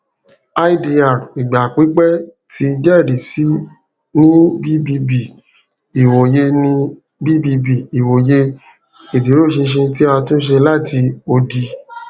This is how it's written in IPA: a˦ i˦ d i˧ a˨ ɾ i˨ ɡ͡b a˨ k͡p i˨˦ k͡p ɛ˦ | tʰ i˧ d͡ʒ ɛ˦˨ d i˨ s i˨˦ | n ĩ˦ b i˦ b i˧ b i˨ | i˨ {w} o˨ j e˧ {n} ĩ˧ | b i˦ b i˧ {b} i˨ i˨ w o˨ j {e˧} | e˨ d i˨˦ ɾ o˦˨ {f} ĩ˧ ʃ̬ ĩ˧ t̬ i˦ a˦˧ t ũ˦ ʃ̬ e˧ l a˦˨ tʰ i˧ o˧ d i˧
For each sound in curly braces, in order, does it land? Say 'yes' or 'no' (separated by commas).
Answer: yes, yes, yes, yes, no